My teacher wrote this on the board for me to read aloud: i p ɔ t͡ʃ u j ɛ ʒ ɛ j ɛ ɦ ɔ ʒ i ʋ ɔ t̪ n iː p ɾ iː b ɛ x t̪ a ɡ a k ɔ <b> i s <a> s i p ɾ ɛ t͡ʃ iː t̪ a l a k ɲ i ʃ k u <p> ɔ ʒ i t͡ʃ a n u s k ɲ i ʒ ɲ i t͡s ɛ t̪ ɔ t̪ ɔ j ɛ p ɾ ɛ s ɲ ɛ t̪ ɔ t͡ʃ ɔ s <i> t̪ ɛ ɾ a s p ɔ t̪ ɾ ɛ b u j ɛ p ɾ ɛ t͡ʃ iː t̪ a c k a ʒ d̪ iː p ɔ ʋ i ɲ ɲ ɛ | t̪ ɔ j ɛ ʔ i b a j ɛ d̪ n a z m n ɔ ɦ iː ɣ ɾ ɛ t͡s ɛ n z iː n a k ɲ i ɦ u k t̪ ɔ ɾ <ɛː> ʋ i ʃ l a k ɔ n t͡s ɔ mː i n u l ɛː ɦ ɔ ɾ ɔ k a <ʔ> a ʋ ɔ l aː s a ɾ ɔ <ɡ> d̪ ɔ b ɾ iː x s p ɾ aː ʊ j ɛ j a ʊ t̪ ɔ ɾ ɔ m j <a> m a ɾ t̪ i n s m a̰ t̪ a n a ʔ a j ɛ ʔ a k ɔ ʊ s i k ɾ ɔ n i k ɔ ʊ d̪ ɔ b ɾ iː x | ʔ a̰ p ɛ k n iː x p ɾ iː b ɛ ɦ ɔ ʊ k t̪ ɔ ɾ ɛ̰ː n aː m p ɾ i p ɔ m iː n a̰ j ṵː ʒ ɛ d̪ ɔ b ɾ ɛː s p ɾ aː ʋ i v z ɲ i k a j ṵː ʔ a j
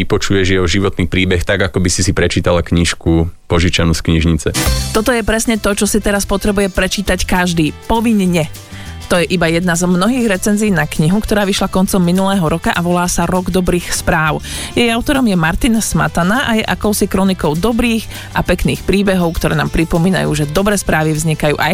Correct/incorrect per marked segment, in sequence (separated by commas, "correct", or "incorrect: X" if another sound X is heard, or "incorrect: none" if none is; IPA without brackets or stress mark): correct, incorrect: i, correct, correct, incorrect: aː, correct, correct, incorrect: ɛ